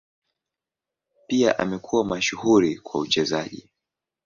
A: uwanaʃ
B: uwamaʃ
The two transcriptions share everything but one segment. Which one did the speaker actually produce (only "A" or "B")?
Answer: B